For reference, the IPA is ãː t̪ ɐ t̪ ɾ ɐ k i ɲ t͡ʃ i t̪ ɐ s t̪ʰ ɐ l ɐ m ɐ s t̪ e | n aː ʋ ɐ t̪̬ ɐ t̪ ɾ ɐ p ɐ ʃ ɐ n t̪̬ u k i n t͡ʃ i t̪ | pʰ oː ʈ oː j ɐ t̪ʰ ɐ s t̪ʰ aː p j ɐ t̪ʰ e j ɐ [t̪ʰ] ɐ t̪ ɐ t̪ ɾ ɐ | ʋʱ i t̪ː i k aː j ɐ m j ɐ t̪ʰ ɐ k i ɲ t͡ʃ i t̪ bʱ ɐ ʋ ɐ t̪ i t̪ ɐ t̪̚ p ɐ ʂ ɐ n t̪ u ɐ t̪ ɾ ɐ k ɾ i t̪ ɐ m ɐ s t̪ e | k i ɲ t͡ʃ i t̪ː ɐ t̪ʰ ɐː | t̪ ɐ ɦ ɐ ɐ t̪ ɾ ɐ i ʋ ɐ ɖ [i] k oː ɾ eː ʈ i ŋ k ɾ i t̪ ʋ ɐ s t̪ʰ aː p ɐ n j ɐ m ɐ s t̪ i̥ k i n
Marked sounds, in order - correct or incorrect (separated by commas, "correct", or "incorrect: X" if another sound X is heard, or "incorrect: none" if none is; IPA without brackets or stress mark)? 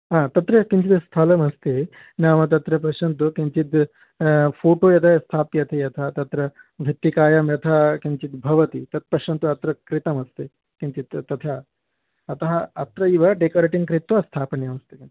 correct, incorrect: e